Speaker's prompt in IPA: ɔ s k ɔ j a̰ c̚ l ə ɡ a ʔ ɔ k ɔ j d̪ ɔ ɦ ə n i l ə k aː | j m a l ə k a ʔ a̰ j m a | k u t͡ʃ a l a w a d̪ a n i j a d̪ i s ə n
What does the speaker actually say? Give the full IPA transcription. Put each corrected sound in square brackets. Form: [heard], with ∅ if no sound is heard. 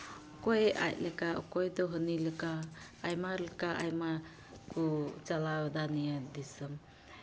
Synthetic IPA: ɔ [∅] k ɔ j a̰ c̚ l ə [k] a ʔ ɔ k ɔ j d̪ ɔ ɦ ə n i l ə k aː | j m a l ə k a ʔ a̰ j m a | k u t͡ʃ a l a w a d̪ a n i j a d̪ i s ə [m]